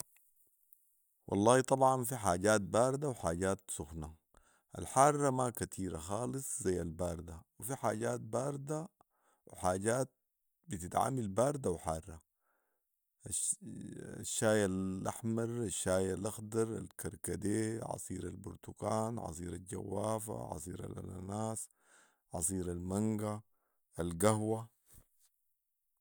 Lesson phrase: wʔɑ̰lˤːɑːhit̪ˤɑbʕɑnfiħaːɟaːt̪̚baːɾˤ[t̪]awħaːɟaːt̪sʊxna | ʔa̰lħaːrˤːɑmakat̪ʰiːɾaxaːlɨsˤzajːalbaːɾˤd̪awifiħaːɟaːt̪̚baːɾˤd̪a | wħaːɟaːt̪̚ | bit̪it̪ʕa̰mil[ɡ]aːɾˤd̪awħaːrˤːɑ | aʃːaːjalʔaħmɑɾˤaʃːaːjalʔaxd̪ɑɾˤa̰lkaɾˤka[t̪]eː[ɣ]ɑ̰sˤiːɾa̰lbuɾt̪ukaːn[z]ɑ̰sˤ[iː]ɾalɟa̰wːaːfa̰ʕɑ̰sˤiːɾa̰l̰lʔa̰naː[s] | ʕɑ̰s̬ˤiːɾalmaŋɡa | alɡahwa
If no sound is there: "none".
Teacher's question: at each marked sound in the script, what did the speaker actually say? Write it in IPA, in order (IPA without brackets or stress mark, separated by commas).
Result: d̪, b, d̪, ʕ, ʕ, iː, s